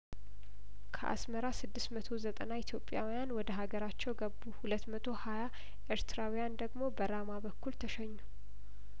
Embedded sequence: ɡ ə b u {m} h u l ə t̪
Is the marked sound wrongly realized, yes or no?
yes